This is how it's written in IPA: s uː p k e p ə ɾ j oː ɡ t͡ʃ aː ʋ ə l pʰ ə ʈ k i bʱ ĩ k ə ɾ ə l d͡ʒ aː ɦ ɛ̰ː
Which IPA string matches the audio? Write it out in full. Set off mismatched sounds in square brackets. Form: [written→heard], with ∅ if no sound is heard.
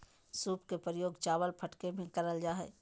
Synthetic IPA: s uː p k e p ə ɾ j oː ɡ t͡ʃ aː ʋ ə l pʰ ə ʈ k [i→e] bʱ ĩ k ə ɾ ə l d͡ʒ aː ɦ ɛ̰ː